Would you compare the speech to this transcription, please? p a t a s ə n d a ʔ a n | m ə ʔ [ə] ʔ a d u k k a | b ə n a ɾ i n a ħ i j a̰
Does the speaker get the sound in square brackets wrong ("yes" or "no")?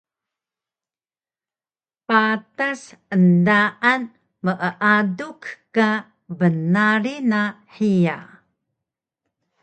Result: no